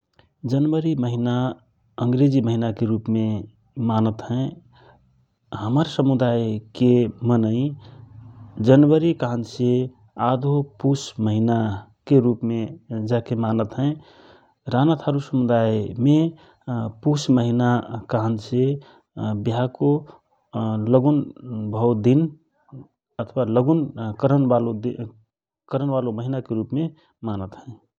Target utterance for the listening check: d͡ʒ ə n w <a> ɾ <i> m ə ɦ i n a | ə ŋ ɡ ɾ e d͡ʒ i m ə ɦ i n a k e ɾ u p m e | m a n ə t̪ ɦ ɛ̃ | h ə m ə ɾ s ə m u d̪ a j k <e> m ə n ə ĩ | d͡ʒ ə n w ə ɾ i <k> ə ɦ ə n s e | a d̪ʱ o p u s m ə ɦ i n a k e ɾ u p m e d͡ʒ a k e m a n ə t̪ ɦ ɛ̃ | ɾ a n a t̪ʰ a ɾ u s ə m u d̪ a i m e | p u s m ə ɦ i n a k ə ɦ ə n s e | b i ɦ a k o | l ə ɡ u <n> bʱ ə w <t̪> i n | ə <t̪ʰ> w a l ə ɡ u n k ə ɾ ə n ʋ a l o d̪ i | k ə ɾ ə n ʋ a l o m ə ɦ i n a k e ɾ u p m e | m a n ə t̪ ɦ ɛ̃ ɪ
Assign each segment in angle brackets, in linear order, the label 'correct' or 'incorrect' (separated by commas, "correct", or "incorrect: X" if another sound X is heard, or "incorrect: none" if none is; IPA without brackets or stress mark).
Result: incorrect: ə, correct, correct, correct, correct, incorrect: d̪, correct